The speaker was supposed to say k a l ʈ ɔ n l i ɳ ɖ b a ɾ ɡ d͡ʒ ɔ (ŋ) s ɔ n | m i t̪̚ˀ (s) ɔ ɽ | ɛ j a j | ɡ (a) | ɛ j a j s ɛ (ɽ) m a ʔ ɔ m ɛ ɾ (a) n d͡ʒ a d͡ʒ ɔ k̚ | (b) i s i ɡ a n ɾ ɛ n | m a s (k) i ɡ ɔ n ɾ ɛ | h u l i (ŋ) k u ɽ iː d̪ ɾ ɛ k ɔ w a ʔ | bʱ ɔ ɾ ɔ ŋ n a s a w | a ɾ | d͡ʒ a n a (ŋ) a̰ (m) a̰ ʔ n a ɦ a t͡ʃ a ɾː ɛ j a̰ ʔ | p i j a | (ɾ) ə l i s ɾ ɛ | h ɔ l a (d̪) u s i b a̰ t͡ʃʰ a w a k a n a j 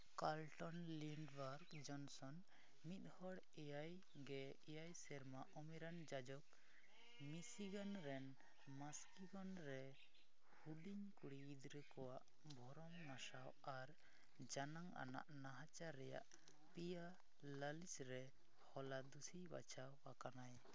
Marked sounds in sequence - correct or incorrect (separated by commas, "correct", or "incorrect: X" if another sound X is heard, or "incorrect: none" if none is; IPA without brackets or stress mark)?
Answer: incorrect: n, incorrect: h, incorrect: ɛ, incorrect: ɾ, correct, incorrect: m, correct, incorrect: ɲ, correct, incorrect: n, incorrect: l, correct